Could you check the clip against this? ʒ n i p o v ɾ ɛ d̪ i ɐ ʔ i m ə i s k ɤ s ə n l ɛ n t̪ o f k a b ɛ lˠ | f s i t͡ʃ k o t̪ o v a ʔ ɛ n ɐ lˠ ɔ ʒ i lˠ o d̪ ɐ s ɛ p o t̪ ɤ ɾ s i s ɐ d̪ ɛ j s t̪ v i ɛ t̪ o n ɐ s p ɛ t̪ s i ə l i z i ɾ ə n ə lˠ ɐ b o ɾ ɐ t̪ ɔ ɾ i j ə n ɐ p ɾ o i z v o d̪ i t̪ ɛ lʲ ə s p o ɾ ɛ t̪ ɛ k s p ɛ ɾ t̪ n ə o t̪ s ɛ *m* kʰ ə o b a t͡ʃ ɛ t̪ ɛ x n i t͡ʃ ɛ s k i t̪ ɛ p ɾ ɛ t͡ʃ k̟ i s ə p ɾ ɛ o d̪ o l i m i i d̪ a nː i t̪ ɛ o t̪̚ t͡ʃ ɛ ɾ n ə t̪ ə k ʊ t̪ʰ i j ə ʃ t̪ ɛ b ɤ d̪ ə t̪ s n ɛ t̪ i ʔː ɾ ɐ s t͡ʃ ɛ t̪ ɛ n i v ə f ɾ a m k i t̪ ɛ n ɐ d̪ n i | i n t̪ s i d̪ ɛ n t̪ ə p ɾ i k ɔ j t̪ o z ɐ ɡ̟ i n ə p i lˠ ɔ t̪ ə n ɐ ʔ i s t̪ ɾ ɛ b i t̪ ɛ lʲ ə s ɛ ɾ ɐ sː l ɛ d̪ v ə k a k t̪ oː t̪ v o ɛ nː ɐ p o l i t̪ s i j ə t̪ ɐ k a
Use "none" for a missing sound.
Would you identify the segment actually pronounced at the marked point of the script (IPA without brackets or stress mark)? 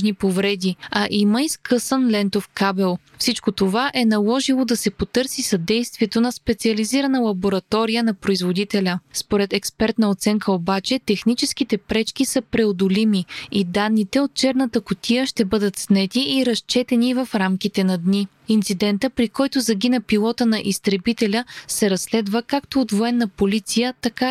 ŋ